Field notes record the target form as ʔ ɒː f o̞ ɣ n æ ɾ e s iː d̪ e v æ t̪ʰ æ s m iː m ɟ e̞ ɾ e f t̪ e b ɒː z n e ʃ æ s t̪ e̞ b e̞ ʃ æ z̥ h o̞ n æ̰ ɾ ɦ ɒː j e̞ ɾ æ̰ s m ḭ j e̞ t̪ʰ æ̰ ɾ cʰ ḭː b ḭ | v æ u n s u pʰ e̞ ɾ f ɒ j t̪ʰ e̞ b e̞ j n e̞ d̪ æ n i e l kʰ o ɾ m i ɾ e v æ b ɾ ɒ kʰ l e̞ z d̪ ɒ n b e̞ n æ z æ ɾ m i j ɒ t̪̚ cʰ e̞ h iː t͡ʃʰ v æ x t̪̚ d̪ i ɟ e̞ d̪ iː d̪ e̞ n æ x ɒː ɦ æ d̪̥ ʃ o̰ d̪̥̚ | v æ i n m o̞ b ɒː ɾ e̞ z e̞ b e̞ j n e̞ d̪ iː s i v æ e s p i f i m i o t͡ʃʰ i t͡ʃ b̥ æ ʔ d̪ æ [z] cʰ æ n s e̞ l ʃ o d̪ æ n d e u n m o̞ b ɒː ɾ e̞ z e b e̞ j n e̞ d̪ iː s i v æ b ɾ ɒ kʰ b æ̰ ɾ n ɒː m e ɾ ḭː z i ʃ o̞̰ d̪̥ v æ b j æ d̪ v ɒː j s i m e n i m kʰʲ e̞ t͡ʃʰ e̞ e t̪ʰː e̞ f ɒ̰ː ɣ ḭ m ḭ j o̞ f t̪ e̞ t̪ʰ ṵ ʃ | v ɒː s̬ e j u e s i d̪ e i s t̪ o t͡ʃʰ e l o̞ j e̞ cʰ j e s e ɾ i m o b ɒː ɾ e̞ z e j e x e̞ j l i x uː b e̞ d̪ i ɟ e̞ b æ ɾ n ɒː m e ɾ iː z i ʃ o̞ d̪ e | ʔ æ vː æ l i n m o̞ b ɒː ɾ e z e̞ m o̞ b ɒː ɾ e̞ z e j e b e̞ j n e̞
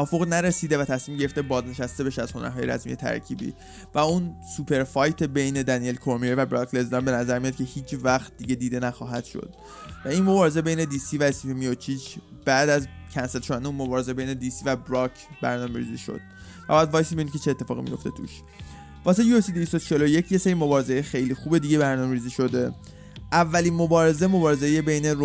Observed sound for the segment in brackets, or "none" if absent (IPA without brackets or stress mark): z